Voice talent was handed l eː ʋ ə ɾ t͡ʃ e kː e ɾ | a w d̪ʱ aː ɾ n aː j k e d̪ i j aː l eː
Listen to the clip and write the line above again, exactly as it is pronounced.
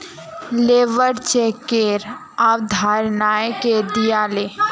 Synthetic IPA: l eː ʋ ə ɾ t͡ʃ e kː e ɾ | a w d̪ʱ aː ɾ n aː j k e d̪ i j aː l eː